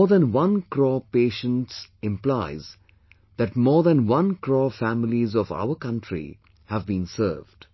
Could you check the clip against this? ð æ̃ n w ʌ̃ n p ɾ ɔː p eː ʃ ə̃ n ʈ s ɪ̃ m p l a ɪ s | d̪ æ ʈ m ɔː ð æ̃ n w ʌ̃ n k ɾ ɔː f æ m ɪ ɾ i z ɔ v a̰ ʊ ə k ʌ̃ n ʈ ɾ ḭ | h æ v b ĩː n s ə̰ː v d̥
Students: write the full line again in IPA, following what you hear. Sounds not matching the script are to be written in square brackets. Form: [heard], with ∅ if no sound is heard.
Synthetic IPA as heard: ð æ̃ n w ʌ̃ n [k] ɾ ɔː p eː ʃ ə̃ n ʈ s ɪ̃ m p l a ɪ [z] | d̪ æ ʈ m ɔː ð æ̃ n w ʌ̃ n k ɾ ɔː f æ m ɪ [l] i z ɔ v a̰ ʊ ə k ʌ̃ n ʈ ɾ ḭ | h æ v b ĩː n s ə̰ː v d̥